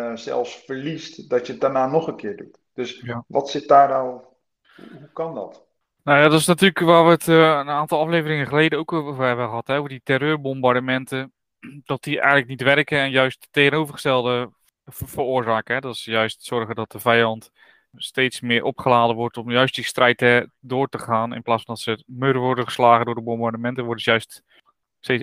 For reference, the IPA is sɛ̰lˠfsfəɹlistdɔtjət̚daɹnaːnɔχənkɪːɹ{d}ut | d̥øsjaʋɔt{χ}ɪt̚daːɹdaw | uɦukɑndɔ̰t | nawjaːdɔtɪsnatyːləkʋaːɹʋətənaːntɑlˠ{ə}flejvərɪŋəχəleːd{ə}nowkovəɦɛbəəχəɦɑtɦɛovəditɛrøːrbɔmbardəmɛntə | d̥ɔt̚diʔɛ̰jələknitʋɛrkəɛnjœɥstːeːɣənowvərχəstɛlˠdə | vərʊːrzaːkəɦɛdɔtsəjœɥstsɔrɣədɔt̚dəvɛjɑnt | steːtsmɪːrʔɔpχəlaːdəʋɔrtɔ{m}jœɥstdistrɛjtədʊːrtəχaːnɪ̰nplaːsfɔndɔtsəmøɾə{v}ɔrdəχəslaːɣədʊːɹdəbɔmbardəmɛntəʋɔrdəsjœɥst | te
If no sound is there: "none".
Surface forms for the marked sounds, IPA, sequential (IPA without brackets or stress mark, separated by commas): d, s, ɑ, ə, m, ʋ